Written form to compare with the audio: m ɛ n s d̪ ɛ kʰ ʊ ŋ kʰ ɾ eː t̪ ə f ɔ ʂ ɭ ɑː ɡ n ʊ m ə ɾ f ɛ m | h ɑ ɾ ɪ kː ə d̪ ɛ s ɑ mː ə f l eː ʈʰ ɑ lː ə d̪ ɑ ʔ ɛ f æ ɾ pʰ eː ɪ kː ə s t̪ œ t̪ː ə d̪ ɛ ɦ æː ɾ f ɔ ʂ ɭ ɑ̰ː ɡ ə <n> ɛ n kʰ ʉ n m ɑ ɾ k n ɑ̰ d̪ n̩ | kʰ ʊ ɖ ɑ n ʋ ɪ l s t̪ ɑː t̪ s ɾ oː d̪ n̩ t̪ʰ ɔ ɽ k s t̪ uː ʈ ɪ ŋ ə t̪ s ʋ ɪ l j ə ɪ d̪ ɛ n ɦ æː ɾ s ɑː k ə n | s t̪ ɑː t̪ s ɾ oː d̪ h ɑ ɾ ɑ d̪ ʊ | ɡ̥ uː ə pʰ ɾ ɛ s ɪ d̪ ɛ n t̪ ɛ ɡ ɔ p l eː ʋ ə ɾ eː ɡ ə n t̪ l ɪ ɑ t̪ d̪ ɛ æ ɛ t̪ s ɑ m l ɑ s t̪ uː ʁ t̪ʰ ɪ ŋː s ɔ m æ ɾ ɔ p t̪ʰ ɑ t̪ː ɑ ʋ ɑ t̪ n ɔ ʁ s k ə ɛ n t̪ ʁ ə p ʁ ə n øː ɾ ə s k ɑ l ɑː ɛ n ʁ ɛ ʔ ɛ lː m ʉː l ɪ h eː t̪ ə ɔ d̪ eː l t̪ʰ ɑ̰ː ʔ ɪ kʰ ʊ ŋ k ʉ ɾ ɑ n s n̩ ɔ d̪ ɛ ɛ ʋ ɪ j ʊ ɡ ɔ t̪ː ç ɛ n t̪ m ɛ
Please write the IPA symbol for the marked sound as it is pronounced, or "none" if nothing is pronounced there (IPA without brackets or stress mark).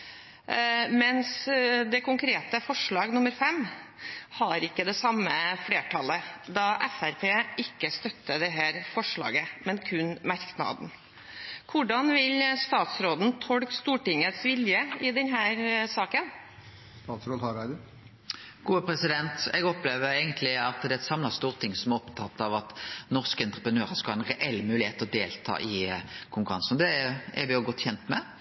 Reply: m